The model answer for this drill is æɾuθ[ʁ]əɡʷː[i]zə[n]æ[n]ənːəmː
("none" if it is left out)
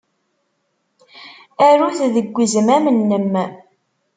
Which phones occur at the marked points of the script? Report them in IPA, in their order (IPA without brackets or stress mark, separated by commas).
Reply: ð, i, m, m